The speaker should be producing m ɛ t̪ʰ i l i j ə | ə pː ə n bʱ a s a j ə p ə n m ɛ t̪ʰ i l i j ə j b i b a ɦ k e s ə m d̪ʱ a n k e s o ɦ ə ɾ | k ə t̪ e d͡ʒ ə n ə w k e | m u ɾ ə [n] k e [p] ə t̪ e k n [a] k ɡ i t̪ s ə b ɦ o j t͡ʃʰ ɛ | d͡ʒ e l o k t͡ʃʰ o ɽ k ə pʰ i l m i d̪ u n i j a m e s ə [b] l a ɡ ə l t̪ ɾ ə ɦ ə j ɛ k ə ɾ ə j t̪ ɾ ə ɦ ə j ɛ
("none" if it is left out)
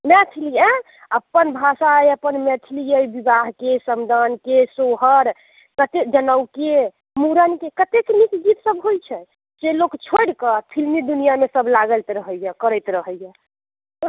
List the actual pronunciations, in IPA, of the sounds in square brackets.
n, k, i, b

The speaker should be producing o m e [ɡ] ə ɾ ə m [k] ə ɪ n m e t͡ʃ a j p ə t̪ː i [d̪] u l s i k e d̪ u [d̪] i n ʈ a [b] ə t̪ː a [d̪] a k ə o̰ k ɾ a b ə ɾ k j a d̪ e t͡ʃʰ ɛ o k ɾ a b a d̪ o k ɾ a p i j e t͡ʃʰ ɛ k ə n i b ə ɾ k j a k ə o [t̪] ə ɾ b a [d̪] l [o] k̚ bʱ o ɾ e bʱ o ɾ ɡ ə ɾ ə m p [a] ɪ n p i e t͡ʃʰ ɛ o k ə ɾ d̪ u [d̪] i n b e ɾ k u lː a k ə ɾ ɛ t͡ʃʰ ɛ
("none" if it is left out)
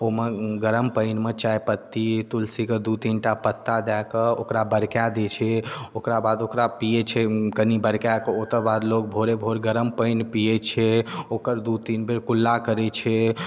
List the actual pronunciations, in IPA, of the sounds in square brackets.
ɡ, p, t̪, t̪, p, d̪, t̪, d̪, o, ə, t̪

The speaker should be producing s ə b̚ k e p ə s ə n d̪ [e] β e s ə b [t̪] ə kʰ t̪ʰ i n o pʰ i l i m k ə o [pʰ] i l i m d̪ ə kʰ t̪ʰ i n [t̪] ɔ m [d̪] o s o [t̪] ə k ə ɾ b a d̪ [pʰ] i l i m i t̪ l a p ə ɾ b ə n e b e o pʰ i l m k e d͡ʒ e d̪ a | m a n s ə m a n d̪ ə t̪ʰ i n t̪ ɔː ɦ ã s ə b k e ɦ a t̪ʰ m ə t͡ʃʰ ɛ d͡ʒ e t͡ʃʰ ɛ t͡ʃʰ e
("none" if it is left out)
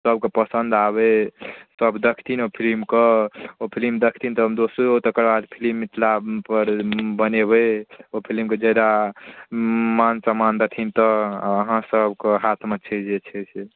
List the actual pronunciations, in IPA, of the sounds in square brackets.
a, d̪, pʰ, t̪, d̪, t̪, pʰ

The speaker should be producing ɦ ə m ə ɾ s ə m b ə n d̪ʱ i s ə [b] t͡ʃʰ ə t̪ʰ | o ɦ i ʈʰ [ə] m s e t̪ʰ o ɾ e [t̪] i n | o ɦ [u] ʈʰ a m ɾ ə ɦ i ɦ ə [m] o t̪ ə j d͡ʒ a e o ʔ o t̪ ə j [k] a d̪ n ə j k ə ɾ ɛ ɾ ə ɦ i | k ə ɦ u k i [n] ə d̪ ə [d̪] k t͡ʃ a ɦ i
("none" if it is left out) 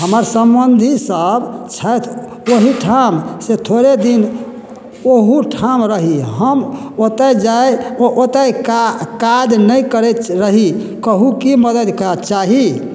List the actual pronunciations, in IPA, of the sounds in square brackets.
b, a, d̪, u, m, k, m, d̪

